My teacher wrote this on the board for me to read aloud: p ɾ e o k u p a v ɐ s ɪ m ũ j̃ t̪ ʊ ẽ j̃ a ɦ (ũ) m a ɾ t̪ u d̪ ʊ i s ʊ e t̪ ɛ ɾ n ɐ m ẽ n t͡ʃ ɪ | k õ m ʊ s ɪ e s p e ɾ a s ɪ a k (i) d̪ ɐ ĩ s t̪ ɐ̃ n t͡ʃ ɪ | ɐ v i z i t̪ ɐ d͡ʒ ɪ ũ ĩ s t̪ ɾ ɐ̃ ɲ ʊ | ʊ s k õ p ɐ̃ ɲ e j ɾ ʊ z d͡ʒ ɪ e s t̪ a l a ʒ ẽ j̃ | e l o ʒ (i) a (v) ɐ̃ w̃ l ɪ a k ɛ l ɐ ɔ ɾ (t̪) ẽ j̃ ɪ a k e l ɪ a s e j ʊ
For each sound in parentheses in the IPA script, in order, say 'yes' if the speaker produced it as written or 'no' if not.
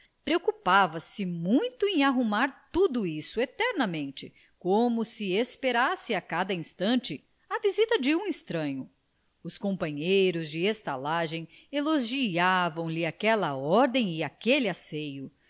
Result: no, no, yes, yes, no

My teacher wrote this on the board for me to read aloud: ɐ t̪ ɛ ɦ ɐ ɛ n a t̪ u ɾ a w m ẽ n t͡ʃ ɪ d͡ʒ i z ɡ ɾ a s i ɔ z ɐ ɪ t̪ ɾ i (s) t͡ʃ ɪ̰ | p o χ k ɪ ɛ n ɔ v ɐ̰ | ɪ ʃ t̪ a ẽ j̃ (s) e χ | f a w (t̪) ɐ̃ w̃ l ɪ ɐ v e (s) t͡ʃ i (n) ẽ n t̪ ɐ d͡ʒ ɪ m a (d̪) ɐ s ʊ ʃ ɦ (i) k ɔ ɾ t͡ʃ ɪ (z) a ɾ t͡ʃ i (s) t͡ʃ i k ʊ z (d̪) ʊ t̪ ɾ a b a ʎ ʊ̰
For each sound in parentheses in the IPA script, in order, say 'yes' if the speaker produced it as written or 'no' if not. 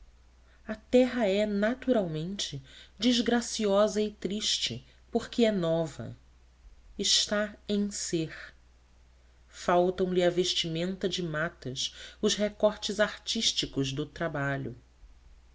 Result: no, yes, yes, no, no, no, no, yes, no, yes

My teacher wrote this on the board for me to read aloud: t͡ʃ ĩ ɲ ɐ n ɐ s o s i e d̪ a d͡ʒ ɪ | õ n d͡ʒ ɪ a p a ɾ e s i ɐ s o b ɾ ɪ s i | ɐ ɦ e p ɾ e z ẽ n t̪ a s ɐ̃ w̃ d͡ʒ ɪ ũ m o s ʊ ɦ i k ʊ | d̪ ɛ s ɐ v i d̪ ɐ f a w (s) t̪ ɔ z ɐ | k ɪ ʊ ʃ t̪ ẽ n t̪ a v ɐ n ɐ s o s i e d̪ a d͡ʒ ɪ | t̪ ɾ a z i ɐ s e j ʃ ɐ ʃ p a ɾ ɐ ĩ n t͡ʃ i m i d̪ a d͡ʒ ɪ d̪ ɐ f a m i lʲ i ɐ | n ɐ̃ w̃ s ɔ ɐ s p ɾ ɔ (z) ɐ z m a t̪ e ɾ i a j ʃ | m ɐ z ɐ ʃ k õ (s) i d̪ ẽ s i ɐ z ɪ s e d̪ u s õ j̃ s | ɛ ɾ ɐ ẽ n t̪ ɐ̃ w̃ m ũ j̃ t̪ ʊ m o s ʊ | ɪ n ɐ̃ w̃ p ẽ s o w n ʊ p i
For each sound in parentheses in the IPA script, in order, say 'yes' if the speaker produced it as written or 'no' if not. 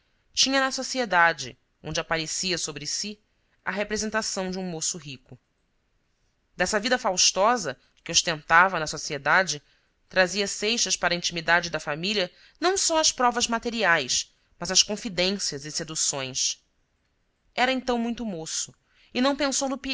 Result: no, no, no

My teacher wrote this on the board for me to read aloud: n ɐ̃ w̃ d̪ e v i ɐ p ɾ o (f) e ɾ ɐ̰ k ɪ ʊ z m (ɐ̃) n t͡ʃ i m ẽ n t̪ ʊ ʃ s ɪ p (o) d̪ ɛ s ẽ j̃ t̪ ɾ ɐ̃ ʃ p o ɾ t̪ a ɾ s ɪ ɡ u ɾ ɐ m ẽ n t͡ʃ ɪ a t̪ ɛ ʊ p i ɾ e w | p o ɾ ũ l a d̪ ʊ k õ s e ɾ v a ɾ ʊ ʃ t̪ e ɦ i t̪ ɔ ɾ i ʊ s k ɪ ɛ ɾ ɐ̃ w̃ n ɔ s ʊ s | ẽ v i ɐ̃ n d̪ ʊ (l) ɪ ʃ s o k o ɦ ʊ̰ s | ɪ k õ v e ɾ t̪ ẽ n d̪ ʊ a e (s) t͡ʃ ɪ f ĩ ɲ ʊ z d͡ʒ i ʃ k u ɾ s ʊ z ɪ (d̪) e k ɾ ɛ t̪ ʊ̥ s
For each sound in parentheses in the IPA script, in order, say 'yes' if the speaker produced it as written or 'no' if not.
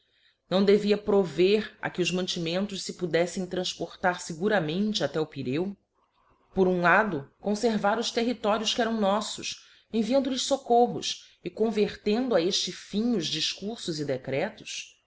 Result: no, yes, no, yes, no, yes

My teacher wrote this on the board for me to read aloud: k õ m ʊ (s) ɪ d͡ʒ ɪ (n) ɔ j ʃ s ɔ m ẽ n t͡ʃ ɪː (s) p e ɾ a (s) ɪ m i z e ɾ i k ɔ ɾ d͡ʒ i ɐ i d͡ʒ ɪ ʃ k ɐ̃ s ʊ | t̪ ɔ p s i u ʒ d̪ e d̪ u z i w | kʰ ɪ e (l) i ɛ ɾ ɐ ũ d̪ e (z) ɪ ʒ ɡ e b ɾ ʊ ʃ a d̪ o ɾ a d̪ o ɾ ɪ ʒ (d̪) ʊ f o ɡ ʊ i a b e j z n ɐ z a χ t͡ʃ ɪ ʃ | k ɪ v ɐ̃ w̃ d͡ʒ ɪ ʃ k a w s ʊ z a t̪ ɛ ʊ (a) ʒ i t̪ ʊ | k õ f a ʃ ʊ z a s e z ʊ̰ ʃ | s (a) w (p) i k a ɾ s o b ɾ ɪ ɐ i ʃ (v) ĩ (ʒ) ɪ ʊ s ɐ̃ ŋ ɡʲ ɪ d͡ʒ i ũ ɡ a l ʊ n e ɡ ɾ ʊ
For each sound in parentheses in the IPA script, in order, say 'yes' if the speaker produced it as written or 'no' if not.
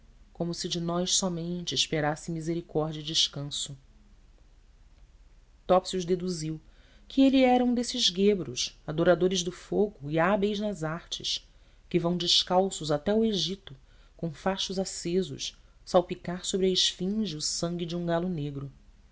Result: yes, yes, no, yes, yes, no, yes, no, yes, yes, no, yes

